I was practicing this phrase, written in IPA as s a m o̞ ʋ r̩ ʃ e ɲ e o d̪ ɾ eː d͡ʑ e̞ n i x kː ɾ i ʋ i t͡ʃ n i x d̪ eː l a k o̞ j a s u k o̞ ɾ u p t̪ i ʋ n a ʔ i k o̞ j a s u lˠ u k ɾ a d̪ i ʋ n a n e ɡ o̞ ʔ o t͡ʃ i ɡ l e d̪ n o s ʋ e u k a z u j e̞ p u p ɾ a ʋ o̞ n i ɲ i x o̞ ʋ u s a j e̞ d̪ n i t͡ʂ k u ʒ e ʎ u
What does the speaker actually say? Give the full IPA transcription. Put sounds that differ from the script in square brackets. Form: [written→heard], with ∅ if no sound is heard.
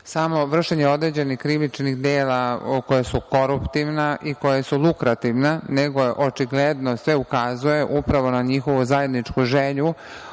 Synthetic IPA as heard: s a m o̞ ʋ r̩ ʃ e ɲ e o d̪ ɾ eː d͡ʑ e̞ n i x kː ɾ i ʋ i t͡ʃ n i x d̪ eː l a k o̞ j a s u k o̞ ɾ u p t̪ i ʋ n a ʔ i k o̞ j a s u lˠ u k ɾ a [d̪→t̪] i ʋ n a n e ɡ o̞ ʔ o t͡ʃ i ɡ l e d̪ n o s ʋ e u k a z u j e̞ [p→ʔ] u p ɾ a ʋ o̞ n [i→a] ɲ i x o̞ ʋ u [s→z] a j e̞ d̪ n i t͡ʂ k u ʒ e ʎ u